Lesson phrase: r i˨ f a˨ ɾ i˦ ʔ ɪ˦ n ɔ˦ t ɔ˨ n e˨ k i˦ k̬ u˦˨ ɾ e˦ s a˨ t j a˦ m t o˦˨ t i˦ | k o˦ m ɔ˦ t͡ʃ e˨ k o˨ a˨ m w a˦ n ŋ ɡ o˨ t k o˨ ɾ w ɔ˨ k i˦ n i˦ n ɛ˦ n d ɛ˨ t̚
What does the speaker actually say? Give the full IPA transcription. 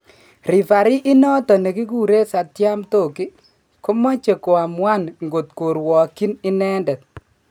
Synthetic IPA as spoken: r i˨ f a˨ ɾ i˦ ʔ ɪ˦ n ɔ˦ t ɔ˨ n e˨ k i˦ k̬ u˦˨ ɾ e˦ s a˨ t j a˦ m t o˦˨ k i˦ | k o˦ m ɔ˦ t͡ʃ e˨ k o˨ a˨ m w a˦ n ŋ ɡ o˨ t k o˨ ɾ w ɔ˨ k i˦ n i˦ n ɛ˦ n d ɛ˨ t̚